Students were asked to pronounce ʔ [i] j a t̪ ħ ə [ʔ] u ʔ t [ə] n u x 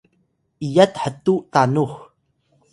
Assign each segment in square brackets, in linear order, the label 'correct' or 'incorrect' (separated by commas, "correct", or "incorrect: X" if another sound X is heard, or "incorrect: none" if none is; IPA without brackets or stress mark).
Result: correct, incorrect: t, incorrect: a